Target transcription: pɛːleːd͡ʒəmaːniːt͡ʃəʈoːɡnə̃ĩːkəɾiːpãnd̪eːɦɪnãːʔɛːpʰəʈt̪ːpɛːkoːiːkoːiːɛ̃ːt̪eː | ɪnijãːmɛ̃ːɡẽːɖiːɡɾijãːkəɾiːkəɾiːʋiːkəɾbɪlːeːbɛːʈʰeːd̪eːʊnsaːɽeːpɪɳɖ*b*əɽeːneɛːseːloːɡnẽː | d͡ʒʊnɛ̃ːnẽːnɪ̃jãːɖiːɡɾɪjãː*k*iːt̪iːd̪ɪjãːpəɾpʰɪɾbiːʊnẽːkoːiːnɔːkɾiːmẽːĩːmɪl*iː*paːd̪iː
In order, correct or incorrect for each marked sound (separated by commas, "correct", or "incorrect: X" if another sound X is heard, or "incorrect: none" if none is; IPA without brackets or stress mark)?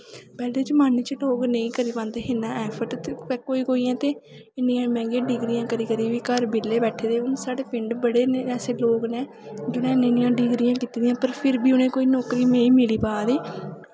correct, correct, correct